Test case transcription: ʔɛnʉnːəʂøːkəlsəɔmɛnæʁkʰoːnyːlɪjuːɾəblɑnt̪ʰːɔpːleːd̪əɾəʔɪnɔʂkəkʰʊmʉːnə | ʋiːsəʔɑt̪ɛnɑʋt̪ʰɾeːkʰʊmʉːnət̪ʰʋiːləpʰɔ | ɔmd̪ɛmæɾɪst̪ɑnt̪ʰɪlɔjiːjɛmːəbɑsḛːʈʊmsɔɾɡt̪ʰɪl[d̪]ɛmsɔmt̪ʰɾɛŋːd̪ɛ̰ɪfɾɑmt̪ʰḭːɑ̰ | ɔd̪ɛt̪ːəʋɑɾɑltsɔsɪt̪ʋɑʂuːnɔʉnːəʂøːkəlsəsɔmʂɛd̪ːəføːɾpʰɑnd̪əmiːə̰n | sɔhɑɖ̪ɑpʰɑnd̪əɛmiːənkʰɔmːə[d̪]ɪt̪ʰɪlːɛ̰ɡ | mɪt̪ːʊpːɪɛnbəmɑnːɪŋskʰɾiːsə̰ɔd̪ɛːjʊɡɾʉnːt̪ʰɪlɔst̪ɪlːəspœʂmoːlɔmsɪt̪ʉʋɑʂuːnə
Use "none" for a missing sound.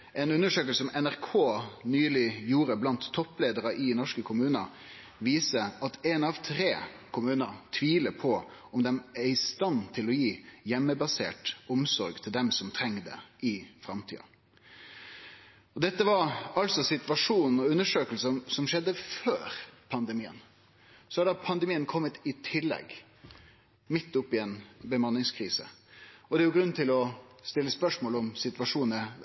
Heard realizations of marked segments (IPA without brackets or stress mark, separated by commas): d̪, t̪